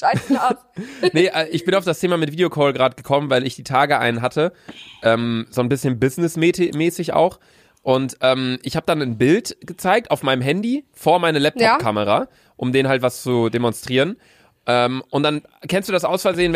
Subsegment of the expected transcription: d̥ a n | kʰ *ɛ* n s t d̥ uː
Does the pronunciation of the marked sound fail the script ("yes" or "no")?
no